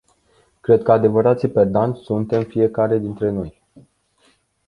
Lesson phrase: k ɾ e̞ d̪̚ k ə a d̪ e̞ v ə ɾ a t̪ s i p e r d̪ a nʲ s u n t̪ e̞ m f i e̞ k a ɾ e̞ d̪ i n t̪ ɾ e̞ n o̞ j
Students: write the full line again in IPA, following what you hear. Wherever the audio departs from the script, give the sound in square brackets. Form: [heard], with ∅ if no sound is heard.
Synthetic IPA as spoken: k ɾ e̞ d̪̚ k ə a d̪ e̞ v ə ɾ a t̪ s i p e r d̪ a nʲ s u n t̪ e̞ m f i e̞ k a ɾ e̞ d̪ i n t̪ ɾ e̞ n o̞ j

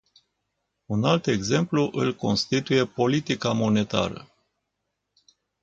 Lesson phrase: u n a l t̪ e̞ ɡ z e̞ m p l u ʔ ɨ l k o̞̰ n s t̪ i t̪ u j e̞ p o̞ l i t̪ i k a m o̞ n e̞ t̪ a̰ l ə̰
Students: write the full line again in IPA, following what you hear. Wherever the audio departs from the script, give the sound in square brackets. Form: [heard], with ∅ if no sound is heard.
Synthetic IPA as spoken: u n a l t̪ e̞ ɡ z e̞ m p l u ʔ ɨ l k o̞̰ n s t̪ i t̪ u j e̞ p o̞ l i t̪ i k a m o̞ n e̞ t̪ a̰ [ɾ] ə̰

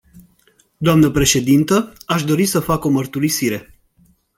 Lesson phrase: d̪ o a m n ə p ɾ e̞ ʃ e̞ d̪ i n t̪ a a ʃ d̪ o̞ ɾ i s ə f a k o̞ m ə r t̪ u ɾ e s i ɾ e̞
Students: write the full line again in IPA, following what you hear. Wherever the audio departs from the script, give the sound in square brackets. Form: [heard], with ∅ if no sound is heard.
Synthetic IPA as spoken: d̪ o a m n ə p ɾ e̞ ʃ e̞ d̪ i n t̪ [ə] a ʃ d̪ o̞ ɾ i s ə f a k o̞ m ə r t̪ u ɾ [i] s i ɾ e̞

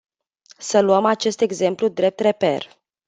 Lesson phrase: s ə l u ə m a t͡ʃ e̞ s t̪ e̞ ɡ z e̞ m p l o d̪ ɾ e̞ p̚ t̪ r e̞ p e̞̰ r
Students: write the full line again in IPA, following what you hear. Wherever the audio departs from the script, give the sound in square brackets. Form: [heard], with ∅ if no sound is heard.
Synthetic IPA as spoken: s ə l u ə m a t͡ʃ e̞ s t̪ e̞ ɡ z e̞ m p l [u] d̪ ɾ e̞ p̚ t̪ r e̞ p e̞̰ r

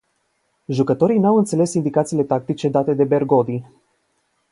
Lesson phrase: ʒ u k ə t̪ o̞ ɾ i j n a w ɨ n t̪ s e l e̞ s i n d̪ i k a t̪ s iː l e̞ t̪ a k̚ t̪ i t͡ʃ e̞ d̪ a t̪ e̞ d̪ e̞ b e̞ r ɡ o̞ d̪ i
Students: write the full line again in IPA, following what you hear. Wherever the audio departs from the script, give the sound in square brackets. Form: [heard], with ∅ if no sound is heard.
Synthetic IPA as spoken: ʒ u k ə t̪ o̞ ɾ i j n a w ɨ n t̪ s e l e̞ s i n d̪ i k a t̪ s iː l e̞ t̪ a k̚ t̪ i t͡ʃ e̞ d̪ a t̪ e̞ d̪ e̞ b e̞ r ɡ o̞ d̪ i

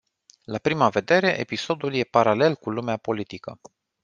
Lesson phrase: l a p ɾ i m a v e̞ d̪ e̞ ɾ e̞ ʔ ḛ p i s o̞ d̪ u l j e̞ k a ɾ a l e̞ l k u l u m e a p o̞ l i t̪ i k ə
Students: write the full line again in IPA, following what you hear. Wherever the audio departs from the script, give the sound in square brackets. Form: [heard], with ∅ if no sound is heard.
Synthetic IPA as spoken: l a p ɾ i m a v e̞ d̪ e̞ ɾ e̞ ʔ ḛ p i s o̞ d̪ u l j e̞ [p] a ɾ a l e̞ l k u l u m e a p o̞ l i t̪ i k ə

